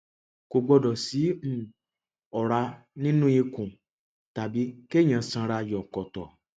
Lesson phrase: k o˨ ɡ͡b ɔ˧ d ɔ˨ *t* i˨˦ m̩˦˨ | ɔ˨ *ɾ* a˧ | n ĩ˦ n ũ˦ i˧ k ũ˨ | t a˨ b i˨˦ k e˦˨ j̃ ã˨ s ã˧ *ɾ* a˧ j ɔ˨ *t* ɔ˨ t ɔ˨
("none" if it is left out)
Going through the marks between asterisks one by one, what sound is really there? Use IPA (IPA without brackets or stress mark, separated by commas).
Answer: s, ɾ, ɾ, k